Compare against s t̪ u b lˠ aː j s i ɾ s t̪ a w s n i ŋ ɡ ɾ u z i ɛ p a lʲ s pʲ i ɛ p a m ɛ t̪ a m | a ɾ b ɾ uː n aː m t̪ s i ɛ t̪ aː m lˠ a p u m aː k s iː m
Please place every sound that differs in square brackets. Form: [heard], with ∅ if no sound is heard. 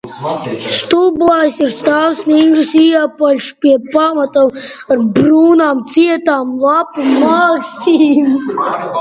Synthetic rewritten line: s t̪ u b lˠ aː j s i ɾ s t̪ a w s n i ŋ ɡ ɾ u [s] i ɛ p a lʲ [ʃ] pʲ i ɛ p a m [a] t̪ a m | a ɾ b ɾ uː n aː m t̪ s i ɛ t̪ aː m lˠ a p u m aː k s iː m